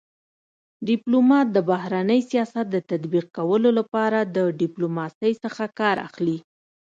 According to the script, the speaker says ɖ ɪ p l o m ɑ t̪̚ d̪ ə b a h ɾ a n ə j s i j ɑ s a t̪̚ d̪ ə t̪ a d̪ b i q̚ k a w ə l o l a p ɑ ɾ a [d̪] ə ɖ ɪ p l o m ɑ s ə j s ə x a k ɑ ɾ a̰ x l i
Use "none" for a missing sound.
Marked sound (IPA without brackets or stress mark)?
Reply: d̪